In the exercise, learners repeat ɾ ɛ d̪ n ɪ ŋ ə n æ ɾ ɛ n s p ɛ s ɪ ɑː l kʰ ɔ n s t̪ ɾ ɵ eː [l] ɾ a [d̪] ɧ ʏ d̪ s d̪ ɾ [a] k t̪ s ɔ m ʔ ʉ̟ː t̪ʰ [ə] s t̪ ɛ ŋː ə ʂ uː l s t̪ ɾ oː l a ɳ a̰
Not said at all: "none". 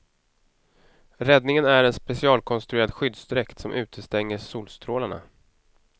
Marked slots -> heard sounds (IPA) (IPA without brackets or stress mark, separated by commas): none, d̪, ɛ, ə